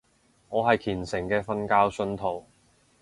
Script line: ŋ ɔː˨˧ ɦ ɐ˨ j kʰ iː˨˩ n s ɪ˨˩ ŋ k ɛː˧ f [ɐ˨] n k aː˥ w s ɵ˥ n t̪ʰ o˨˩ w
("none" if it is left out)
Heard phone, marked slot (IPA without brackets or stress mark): ɐ˥